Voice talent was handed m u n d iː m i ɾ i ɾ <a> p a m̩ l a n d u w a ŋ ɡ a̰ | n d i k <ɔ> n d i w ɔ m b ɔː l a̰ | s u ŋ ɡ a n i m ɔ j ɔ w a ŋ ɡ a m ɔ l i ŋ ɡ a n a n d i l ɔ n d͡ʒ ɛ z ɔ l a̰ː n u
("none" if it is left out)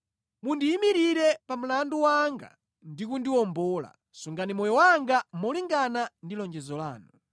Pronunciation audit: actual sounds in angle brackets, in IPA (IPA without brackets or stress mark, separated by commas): ɛ, u